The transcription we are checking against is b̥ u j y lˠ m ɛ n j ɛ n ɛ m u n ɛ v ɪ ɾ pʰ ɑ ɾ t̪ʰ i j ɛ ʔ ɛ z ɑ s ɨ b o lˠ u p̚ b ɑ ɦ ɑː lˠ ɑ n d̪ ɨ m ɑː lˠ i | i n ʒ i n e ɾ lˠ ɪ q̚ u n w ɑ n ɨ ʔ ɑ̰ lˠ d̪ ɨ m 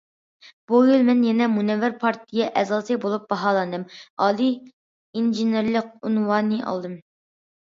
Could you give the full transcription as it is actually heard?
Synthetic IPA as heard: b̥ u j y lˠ m ɛ n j ɛ n ɛ m u n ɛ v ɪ ɾ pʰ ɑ ɾ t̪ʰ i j ɛ ʔ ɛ z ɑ s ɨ b o lˠ u p̚ b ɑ ɦ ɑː lˠ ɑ n d̪ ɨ m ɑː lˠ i | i n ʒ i n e ɾ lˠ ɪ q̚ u n w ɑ n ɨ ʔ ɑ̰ lˠ d̪ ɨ m